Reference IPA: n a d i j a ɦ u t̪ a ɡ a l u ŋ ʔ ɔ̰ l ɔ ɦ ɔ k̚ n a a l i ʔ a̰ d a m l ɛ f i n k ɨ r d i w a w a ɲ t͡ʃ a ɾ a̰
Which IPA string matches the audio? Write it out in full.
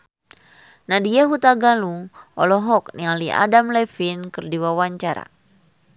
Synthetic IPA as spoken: n a d i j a ɦ u t̪ a ɡ a l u ŋ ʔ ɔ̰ l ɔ ɦ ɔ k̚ n i a l i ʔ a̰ d a m l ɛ f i n k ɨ r d i w a w a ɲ t͡ʃ a ɾ a̰